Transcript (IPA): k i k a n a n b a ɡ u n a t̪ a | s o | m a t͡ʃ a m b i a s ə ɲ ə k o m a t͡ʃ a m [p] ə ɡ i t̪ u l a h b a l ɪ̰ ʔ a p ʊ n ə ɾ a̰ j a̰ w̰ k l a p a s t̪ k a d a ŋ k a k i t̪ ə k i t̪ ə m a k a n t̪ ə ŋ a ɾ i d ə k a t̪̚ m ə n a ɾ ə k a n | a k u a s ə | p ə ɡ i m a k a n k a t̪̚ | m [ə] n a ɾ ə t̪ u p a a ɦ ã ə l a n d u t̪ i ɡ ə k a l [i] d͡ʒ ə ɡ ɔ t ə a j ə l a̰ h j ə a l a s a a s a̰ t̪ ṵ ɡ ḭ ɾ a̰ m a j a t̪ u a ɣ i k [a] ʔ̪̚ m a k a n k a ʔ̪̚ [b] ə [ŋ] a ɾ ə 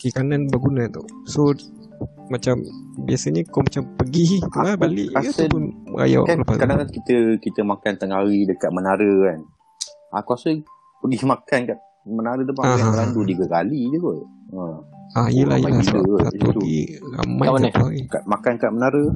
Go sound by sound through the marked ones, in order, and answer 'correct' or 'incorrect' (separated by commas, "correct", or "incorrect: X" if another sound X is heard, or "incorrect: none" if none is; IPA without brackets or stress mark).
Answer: correct, correct, correct, correct, incorrect: m, incorrect: n